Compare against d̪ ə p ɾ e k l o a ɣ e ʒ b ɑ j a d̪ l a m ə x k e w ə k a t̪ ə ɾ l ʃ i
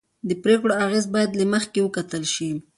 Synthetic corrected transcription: d̪ ə p ɾ e k ɽ o a ɣ e z b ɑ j a d̪ l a m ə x k e w ə k a t̪ ə l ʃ i